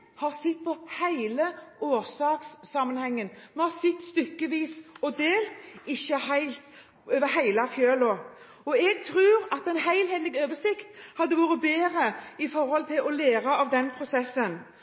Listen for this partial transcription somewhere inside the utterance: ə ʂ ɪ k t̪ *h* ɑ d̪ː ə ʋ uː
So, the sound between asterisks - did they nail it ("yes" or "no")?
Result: yes